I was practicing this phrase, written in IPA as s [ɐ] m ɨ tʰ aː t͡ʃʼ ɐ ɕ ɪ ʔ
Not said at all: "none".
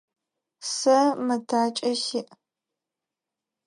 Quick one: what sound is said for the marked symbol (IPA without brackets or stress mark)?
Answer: ɐ